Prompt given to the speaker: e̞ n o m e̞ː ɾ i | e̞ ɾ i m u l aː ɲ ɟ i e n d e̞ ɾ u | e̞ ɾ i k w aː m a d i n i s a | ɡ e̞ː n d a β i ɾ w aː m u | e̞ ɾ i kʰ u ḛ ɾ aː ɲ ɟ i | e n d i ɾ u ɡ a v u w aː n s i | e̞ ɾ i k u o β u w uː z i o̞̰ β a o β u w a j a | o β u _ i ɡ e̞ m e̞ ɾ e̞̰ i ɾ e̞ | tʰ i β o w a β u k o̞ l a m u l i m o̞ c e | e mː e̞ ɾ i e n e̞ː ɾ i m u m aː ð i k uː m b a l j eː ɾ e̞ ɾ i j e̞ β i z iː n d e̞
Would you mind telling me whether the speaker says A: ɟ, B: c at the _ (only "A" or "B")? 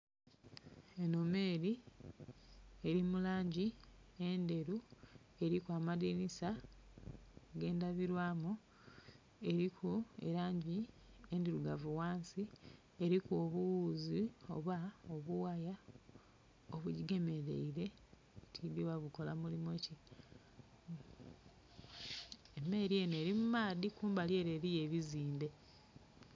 A